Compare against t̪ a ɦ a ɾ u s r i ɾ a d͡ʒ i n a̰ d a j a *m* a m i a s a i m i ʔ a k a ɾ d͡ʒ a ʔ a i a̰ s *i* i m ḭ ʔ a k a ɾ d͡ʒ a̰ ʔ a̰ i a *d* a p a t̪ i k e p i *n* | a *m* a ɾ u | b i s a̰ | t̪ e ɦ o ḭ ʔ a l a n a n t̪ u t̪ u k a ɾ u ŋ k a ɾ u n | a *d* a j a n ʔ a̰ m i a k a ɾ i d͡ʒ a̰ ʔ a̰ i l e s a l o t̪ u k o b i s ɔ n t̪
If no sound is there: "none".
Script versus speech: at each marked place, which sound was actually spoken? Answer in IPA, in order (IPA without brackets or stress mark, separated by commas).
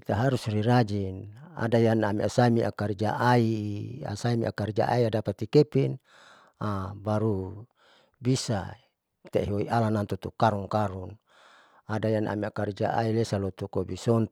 n, a, d, n, b, d